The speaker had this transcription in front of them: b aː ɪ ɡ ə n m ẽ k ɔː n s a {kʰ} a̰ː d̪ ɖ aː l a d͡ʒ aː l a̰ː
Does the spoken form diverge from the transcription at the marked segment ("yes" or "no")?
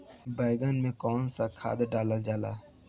no